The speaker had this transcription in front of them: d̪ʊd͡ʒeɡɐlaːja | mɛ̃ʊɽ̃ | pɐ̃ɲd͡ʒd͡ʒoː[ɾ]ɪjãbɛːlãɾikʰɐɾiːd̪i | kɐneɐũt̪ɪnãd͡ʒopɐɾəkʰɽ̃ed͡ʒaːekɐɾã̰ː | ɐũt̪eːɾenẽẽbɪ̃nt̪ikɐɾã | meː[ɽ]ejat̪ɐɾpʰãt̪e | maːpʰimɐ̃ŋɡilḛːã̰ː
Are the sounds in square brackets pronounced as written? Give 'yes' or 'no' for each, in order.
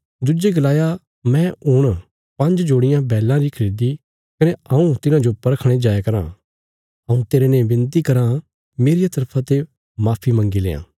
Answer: no, no

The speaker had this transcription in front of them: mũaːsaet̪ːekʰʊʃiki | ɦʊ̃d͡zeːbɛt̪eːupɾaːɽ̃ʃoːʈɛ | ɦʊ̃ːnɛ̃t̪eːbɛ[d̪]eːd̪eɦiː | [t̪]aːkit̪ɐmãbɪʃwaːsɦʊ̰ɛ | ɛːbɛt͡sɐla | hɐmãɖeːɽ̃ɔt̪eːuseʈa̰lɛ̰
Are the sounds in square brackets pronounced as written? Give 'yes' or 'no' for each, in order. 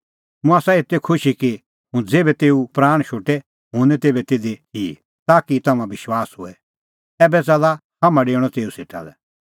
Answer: no, yes

